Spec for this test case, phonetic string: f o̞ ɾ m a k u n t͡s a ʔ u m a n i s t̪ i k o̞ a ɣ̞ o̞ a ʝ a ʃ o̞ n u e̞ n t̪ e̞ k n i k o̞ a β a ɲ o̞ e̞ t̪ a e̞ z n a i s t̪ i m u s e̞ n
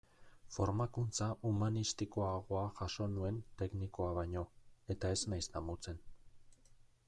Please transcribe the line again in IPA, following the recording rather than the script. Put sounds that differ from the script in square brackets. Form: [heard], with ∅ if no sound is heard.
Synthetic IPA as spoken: f o̞ ɾ m a k u n t͡s a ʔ u m a n i s t̪ i k o̞ a ɣ̞ o̞ a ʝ a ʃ o̞ n u e̞ n t̪ e̞ k n i k o̞ a β a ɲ o̞ e̞ t̪ a e̞ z n a [j] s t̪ [a] m u [t͡s] e̞ n